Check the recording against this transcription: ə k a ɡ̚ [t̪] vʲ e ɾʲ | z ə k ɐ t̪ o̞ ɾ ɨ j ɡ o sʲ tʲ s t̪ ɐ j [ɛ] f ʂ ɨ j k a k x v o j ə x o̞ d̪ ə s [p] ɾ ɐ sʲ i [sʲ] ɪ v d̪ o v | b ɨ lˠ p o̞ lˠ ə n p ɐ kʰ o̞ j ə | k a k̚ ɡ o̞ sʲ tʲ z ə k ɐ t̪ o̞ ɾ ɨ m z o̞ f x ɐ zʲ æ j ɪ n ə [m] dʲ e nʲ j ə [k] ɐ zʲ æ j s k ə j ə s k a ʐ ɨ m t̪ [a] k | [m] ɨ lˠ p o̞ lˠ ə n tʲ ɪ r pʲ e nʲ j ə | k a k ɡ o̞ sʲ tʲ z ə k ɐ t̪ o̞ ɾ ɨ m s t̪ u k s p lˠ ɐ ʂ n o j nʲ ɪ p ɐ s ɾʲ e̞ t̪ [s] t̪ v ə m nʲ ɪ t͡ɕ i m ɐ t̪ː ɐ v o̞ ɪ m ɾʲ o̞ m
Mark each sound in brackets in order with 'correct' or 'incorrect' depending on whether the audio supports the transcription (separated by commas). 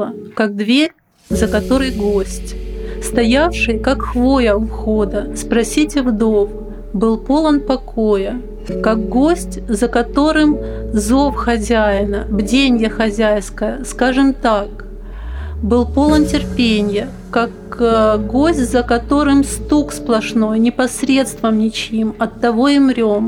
incorrect, incorrect, correct, incorrect, incorrect, incorrect, correct, incorrect, correct